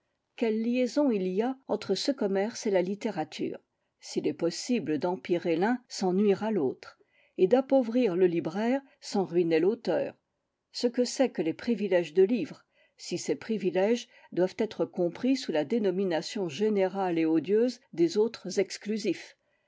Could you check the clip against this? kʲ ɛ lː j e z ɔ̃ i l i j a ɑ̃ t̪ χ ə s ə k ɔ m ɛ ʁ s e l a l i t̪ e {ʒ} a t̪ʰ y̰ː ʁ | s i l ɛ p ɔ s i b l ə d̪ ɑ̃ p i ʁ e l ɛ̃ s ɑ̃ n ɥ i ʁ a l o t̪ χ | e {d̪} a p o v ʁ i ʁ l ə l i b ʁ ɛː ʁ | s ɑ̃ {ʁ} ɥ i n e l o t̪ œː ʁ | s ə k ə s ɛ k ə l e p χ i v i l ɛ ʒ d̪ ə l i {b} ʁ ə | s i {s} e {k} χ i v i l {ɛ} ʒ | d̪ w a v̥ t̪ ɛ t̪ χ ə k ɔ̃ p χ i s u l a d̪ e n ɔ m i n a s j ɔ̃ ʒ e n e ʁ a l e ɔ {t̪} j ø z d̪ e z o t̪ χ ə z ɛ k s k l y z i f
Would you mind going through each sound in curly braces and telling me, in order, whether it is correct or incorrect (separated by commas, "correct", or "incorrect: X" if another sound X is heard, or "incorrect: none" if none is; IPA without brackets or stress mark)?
incorrect: ʁ, correct, correct, incorrect: v, correct, incorrect: p, correct, incorrect: d̪